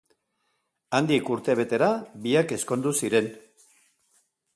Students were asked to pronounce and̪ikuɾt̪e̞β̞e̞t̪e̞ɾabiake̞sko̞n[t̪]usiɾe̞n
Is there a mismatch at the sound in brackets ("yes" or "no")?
yes